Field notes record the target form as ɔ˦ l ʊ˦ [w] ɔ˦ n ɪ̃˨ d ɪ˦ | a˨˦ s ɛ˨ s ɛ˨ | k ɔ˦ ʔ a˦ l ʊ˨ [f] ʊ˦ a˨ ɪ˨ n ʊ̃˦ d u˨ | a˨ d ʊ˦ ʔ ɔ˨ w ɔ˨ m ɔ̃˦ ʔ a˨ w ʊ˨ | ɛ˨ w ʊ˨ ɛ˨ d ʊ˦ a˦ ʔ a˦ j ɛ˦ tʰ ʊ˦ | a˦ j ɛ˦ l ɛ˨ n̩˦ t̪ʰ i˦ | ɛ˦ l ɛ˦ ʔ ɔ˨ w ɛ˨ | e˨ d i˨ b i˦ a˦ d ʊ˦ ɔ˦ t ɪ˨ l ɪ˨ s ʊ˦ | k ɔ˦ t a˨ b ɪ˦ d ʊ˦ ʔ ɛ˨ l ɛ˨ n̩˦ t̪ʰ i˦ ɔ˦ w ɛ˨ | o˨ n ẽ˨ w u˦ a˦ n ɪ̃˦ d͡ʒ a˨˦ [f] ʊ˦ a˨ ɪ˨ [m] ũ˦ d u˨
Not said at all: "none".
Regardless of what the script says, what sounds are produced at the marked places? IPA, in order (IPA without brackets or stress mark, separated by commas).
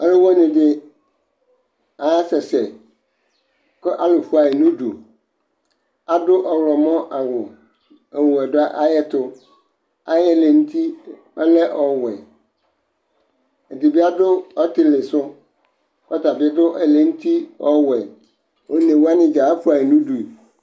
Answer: w, f, f, n